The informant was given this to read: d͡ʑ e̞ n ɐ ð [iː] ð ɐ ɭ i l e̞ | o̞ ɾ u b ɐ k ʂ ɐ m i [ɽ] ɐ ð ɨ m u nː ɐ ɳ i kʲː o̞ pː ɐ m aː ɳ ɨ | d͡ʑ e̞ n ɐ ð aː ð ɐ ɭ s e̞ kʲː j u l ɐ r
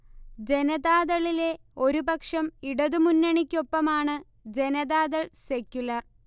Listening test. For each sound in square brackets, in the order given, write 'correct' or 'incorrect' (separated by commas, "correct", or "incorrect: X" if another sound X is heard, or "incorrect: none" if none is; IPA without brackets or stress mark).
incorrect: aː, correct